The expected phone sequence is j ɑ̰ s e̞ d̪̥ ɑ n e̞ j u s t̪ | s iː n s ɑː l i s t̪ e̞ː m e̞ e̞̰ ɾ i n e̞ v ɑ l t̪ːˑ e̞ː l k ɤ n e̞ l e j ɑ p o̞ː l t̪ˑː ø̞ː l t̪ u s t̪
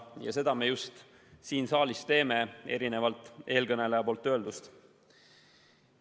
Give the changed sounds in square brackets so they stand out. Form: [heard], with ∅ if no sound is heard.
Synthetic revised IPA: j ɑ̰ s e̞ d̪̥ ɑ [m] e̞ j u s t̪ | s iː n s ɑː l i s t̪ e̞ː m e̞ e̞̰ ɾ i n e̞ v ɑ l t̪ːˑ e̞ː l k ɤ n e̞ l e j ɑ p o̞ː l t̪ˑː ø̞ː l [d̪] u s t̪